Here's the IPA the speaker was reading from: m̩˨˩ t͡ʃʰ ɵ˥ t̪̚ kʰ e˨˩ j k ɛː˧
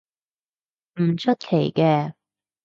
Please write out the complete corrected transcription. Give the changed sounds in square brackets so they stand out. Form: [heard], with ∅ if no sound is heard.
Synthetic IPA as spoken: m̩˨˩ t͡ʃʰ ɵ˥ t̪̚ kʰ e˨˩ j k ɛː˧

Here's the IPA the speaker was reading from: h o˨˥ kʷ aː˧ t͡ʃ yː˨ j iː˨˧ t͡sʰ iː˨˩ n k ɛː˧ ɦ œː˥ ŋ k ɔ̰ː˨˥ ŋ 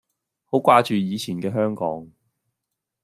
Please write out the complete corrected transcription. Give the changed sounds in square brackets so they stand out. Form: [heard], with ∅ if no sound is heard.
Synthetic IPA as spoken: h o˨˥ kʷ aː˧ t͡ʃ yː˨ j iː˨˧ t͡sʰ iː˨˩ n k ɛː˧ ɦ œː˥ ŋ k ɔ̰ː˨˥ ŋ

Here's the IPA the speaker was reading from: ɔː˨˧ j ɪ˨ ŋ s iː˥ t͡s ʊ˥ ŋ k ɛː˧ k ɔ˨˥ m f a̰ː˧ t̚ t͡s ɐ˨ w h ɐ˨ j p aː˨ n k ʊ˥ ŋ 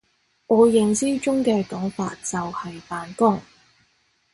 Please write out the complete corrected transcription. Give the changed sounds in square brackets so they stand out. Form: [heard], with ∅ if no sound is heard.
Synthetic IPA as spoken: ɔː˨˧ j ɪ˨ ŋ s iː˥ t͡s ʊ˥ ŋ k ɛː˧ k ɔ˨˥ [ŋ] f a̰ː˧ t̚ t͡s ɐ˨ w h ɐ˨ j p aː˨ n k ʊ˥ ŋ

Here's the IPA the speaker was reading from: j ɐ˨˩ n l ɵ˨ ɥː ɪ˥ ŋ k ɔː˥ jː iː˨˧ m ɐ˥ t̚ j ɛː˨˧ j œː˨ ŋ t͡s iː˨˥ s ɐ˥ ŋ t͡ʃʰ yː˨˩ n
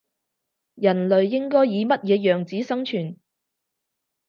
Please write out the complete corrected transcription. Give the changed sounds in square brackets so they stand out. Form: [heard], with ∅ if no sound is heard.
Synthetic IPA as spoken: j ɐ˨˩ n l ɵ˨ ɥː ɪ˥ ŋ k ɔː˥ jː iː˨˧ m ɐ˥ t̚ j ɛː˨˧ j œː˨ ŋ t͡s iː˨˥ s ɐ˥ ŋ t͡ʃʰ yː˨˩ n

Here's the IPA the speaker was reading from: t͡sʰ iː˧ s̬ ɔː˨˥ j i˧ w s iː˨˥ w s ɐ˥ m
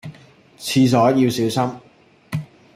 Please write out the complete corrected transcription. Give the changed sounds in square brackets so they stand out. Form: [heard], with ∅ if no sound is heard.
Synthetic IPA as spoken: t͡sʰ iː˧ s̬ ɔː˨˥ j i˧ w s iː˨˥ w s ɐ˥ m

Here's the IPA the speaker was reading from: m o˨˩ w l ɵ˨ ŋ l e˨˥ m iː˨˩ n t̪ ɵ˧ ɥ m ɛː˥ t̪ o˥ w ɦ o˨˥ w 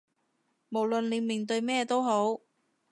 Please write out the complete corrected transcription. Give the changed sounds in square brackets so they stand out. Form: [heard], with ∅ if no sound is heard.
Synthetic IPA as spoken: m o˨˩ w l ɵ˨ [n] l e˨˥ m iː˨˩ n t̪ ɵ˧ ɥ m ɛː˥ t̪ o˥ w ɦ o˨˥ w

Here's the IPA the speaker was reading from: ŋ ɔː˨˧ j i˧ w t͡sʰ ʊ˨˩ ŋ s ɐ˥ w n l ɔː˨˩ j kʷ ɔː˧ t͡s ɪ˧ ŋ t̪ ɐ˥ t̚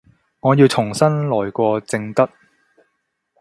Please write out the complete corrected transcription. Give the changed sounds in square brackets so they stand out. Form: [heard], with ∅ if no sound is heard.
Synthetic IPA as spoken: ŋ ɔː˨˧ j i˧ w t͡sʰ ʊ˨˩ ŋ s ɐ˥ [∅] n l ɔː˨˩ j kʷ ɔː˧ t͡s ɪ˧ ŋ t̪ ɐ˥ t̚

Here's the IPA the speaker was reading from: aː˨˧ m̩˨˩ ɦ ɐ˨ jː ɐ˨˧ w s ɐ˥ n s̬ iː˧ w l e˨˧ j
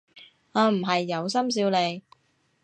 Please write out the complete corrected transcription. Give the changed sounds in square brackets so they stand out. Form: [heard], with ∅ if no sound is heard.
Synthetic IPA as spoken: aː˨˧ m̩˨˩ ɦ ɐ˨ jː ɐ˨˧ w s ɐ˥ [m] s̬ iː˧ w l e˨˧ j

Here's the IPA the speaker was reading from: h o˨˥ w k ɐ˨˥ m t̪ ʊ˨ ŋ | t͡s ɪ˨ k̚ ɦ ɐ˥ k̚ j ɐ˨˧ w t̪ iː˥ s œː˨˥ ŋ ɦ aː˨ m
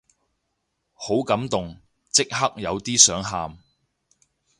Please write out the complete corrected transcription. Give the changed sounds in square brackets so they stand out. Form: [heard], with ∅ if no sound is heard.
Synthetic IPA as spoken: h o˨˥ w k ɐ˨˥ m t̪ ʊ˨ ŋ | t͡s [ɪ˥] k̚ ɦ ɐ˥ k̚ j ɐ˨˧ w t̪ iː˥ s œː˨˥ ŋ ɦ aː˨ m

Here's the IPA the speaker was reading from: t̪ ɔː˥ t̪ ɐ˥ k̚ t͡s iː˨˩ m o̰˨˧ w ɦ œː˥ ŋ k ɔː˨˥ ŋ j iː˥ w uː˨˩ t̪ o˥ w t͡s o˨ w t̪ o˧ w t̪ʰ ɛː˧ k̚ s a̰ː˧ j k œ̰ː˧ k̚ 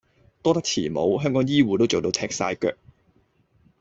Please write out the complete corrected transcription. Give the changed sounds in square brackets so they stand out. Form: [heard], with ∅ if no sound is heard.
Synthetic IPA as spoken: t̪ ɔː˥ t̪ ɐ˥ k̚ [t͡sʰ] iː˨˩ m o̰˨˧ w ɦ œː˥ ŋ k ɔː˨˥ ŋ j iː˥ w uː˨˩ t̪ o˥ w t͡s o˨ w t̪ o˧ w t̪ʰ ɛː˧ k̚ s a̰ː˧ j k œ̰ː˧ k̚

